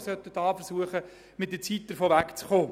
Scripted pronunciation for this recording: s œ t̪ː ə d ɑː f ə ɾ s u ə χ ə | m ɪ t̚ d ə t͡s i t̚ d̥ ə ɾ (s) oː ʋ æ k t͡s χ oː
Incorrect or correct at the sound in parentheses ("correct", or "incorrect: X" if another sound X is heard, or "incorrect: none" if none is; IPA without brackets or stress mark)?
incorrect: f